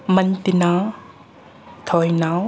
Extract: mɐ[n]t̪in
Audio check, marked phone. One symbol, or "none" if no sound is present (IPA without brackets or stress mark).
n